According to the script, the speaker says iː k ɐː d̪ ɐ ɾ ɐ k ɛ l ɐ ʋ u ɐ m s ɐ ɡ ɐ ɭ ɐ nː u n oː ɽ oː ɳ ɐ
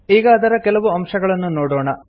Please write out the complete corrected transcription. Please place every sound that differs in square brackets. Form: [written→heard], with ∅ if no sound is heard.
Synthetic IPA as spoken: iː [k→ɡ] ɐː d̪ ɐ ɾ ɐ k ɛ l ɐ ʋ u ɐ m [s→ʂ] ɐ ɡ ɐ ɭ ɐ nː u n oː ɽ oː ɳ ɐ

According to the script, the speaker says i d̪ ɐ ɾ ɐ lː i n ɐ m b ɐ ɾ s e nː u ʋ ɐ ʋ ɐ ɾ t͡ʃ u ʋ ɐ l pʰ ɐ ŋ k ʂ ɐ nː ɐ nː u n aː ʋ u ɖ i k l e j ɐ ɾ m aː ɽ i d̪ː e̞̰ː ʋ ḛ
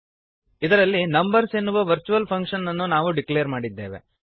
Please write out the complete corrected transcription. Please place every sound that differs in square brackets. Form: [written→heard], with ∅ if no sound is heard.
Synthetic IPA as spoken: i d̪ ɐ ɾ ɐ lː i n ɐ m b ɐ ɾ s e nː u ʋ ɐ ʋ ɐ ɾ t͡ʃ u ʋ ɐ l pʰ ɐ ŋ k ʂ ɐ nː ɐ nː u n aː ʋ u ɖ i k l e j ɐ ɾ m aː ɽ i d̪ː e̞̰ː ʋ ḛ

